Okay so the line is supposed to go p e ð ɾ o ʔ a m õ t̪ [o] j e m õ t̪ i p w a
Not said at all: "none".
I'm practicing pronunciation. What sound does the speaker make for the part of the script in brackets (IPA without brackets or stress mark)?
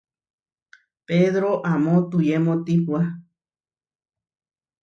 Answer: u